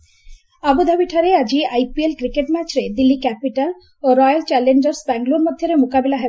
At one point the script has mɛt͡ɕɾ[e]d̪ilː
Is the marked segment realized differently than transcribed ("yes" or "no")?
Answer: no